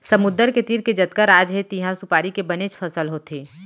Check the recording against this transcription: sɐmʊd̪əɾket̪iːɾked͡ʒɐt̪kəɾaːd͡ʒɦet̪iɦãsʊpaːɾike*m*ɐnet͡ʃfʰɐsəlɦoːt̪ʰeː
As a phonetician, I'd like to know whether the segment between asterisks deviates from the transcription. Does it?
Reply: yes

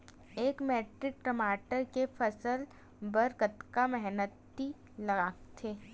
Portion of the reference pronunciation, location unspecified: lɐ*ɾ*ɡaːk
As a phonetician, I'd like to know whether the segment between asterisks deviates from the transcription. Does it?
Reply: yes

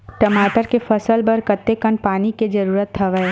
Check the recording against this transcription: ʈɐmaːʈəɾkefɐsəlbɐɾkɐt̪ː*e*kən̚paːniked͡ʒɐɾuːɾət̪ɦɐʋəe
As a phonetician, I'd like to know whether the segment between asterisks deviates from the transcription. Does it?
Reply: no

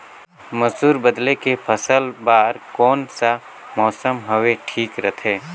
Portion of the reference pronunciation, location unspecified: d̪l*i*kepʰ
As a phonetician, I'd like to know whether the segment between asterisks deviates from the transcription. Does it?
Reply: yes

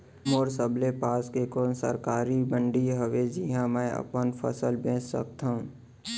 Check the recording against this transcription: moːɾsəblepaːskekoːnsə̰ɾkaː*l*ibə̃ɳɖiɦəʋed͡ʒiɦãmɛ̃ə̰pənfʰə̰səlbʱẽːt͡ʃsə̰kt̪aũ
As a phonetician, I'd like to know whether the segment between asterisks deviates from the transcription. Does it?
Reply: yes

